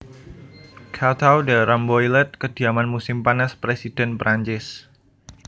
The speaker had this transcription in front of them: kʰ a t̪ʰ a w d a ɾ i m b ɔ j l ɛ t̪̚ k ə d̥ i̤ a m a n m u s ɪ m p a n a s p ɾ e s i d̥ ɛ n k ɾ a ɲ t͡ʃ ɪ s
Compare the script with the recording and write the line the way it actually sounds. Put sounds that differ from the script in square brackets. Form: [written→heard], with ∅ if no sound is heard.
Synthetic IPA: kʰ a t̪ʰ a w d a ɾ [i→a] m b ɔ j l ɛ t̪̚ k ə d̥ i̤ a m a n m u s ɪ m p a n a s p ɾ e s i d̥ ɛ n [k→p] ɾ a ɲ t͡ʃ ɪ s